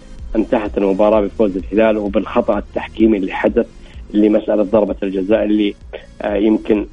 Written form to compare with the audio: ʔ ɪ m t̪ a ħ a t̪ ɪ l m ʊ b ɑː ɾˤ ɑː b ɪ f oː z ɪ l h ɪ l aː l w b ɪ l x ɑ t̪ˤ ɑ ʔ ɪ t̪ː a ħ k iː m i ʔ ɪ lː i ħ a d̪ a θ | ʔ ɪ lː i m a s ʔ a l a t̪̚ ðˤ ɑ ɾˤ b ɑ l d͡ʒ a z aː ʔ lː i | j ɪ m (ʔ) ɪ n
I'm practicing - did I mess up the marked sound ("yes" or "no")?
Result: yes